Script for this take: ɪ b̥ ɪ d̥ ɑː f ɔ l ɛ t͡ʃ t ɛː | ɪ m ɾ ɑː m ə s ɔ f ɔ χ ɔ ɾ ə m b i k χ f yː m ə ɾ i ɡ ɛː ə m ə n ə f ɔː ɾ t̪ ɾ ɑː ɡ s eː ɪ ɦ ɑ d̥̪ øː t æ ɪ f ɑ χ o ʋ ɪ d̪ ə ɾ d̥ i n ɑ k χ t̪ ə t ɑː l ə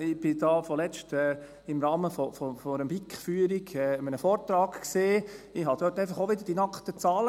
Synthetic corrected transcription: ɪ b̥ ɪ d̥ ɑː f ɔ l ɛ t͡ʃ t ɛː | ɪ m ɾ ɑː m ə f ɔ f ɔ f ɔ ɾ ə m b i k χ f yː ə ɾ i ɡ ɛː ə m ə n ə f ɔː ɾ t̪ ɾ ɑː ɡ s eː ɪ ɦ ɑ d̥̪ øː t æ ɪ f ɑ χ o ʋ ɪ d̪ ə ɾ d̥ i n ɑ k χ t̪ ə t͡s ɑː l ə

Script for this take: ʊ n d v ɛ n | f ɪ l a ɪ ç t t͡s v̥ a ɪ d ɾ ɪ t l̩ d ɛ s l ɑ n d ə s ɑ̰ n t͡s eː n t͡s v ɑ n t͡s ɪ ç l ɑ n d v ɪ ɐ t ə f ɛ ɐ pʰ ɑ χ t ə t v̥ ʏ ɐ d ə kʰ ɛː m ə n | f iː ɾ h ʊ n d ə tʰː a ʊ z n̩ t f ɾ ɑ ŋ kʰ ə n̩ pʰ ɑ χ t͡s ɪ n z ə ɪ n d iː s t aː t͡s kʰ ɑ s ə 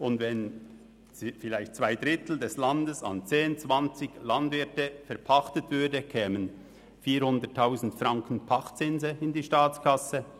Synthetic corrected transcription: ʊ n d v ɛ n | f ɪ l a ɪ ç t t͡s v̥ a ɪ d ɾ ɪ t l̩ d ɛ s l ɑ n d ə s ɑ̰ n t͡s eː n t͡s v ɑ n t͡s ɪ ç l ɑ n d v ɪ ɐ t ə f ɛ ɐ pʰ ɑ χ t ə t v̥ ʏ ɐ d ə kʰ ɛː m ə n | f iː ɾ h ʊ n d ə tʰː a ʊ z n̩ t f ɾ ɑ ŋ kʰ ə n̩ pʰ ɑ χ t͡s ɪ n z ə ɪ n d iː ʃ t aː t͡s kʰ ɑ s ə

